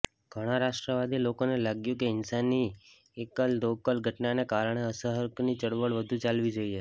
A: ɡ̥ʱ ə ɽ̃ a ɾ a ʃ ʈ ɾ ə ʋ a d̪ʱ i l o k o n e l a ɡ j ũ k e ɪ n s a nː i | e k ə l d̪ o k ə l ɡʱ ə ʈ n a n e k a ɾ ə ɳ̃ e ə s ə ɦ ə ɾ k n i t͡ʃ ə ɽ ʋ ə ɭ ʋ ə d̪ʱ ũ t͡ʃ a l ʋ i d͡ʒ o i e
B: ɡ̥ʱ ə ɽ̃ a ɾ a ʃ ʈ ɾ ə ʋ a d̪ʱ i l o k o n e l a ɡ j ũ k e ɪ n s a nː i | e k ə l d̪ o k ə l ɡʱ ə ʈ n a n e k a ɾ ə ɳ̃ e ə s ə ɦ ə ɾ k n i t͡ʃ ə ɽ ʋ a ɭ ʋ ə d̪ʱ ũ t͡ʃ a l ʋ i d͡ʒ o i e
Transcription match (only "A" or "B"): A